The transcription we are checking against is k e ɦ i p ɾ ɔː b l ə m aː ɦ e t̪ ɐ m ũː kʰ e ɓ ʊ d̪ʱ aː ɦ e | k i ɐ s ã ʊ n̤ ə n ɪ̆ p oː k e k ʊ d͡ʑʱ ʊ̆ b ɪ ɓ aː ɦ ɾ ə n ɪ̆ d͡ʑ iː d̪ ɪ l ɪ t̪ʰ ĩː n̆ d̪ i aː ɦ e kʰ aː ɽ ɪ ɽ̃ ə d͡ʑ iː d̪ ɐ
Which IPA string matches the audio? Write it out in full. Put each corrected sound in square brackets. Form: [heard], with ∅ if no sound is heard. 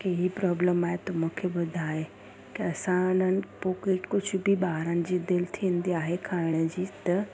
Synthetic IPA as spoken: k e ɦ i p ɾ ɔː b l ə m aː ɦ e t̪ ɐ m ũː kʰ e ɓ ʊ d̪ʱ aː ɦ e | k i ɐ s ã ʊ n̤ ə n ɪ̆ p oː k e k ʊ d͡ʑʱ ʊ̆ b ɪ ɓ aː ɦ ɾ ə n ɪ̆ d͡ʑ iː d̪ ɪ l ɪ t̪ʰ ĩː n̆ d̪ i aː ɦ e kʰ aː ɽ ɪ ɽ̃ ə d͡ʑ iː [t̪] ɐ